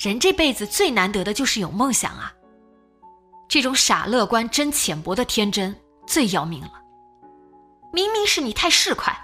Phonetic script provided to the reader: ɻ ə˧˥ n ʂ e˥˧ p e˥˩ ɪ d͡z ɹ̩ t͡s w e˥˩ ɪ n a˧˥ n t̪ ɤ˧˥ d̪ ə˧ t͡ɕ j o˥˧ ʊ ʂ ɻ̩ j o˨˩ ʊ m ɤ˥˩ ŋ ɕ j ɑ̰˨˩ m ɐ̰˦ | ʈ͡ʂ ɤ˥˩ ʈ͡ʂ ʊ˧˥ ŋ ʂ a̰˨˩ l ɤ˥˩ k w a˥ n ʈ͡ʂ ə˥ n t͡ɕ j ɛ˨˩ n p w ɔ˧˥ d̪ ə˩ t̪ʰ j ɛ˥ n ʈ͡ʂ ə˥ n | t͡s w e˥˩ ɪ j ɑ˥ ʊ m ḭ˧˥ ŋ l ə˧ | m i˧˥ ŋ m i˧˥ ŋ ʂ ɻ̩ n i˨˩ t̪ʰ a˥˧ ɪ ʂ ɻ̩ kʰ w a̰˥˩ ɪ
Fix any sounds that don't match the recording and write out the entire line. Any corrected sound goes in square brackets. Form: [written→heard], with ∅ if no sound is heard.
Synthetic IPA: ɻ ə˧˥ n [ʂ→ʈ͡ʂ] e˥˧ p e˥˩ ɪ d͡z ɹ̩ t͡s w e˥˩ ɪ n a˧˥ n t̪ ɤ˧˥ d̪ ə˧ t͡ɕ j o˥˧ ʊ ʂ ɻ̩ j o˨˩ ʊ m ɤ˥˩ ŋ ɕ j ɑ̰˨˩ [m→ŋ] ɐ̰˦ | ʈ͡ʂ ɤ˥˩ ʈ͡ʂ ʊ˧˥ ŋ ʂ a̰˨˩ l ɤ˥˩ k w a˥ n ʈ͡ʂ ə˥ n [t͡ɕ→t͡ɕʰ] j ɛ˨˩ n p w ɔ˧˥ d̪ [ə˩→ə˧] t̪ʰ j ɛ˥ n ʈ͡ʂ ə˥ n | t͡s w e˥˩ ɪ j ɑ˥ ʊ m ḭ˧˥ ŋ l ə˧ | m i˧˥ ŋ m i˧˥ ŋ ʂ ɻ̩ n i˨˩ t̪ʰ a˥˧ ɪ ʂ ɻ̩ kʰ w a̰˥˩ ɪ